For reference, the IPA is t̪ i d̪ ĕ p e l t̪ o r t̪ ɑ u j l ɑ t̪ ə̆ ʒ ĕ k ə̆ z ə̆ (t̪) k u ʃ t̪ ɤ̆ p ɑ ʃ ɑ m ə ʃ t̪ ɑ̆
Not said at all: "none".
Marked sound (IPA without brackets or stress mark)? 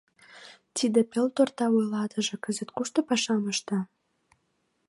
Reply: t̪